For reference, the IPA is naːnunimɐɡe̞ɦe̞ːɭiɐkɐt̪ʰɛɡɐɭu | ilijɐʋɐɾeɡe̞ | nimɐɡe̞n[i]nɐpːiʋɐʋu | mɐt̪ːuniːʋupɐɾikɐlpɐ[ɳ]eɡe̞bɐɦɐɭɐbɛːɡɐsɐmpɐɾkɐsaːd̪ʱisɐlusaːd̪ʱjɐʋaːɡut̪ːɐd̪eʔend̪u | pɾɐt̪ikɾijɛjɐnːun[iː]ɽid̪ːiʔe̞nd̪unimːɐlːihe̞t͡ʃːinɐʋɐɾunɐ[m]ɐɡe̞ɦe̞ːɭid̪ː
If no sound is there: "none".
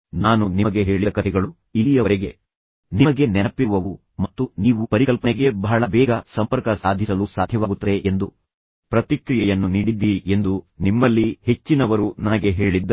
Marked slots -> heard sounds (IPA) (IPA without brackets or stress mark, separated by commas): ɛ, n, iː, n